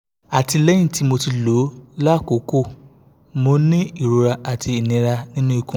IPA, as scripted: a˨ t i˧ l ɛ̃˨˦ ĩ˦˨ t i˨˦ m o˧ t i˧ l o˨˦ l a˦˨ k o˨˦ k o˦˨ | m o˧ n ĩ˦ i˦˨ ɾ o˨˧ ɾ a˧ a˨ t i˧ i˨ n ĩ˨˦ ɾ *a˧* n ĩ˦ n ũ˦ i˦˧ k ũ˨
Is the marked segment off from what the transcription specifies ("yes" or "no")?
no